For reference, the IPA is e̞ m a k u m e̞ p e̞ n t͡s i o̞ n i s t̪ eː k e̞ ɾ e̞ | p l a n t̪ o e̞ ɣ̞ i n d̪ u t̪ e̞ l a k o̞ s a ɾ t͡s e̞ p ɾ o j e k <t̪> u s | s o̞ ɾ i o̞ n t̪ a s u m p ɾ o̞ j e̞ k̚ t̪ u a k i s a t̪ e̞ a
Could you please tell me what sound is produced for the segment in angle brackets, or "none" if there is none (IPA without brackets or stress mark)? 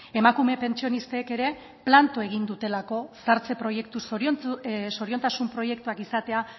t̪